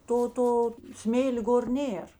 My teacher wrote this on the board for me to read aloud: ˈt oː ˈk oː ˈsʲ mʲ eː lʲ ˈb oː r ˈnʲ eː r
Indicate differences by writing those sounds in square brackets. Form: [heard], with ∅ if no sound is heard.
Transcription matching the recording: ˈt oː [ˈt] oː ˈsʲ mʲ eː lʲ [ˈɡ] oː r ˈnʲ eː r